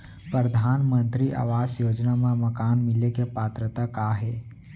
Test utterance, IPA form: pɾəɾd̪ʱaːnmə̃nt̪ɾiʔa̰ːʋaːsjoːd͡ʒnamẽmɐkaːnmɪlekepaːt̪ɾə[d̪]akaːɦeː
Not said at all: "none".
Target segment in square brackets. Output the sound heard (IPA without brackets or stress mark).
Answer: t̪